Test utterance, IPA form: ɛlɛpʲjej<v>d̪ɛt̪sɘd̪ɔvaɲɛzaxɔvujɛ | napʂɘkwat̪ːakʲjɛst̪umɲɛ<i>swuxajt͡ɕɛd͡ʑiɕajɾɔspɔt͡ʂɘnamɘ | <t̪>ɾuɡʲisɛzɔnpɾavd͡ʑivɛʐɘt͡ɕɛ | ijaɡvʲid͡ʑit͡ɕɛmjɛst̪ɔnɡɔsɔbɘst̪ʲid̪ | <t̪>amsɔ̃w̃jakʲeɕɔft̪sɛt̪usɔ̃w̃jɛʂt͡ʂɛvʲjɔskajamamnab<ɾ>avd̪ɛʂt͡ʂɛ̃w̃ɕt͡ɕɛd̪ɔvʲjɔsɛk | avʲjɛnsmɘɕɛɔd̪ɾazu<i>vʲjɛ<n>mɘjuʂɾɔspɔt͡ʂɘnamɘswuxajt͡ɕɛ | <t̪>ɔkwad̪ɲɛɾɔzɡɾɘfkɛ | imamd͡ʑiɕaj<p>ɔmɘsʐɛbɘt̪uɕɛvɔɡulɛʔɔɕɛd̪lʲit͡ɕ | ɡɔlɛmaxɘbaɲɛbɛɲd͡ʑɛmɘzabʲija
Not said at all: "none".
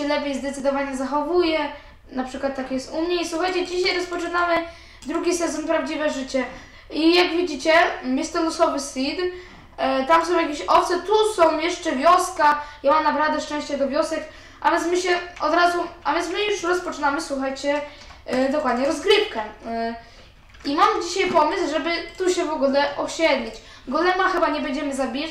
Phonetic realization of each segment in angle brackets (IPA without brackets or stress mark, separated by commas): z, i, d̪, t̪, ɾ, a, n, d̪, p